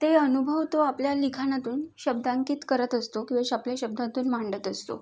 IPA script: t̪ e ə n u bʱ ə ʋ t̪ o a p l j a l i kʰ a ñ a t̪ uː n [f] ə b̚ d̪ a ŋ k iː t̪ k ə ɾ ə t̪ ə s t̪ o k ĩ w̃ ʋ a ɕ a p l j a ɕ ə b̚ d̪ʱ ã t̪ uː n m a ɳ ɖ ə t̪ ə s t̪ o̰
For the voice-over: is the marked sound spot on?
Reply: no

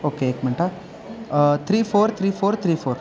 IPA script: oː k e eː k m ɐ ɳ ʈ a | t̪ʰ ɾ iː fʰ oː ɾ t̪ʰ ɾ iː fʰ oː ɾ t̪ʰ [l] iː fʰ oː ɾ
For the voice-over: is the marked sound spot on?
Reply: no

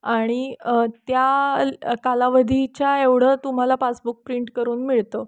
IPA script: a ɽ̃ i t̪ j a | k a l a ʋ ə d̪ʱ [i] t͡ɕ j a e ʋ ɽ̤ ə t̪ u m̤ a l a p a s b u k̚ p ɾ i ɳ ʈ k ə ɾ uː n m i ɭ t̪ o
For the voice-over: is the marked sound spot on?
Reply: yes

